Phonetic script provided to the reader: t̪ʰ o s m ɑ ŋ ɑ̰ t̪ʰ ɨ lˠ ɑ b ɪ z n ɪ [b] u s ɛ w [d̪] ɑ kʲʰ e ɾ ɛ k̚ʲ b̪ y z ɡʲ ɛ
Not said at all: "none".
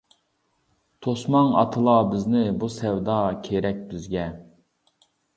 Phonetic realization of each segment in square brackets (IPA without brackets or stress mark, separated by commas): b, d̪